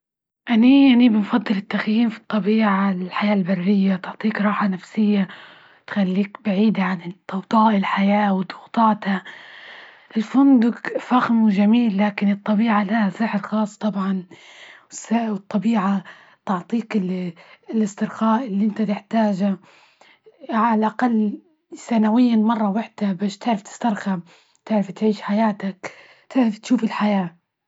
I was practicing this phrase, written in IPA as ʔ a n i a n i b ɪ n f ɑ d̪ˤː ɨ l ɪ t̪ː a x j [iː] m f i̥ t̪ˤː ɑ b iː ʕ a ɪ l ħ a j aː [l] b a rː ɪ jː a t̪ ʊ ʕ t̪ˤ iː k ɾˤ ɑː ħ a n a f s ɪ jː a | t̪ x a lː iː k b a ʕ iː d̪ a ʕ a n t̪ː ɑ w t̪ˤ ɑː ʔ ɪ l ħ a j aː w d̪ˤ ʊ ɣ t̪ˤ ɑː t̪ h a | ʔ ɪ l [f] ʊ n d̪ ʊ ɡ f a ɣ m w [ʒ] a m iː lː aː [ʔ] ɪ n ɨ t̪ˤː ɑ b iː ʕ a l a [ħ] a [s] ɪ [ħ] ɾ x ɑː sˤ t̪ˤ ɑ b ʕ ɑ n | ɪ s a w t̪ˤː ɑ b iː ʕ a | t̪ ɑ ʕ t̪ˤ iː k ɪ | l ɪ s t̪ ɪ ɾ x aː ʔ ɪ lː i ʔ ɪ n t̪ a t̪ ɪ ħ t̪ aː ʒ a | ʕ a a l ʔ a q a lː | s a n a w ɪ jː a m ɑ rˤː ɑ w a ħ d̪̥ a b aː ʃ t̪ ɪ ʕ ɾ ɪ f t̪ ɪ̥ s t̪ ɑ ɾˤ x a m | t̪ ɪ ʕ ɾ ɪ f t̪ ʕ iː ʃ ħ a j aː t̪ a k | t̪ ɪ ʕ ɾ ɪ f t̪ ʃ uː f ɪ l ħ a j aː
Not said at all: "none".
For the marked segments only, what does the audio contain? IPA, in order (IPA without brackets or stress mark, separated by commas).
iː, l, f, ʒ, k, h, s, ħ